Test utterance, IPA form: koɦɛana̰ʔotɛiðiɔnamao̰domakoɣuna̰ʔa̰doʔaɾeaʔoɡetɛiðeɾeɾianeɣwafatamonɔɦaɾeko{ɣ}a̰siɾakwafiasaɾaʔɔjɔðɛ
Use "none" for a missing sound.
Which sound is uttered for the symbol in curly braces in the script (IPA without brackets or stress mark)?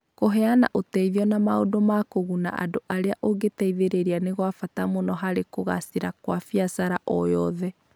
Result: ɣ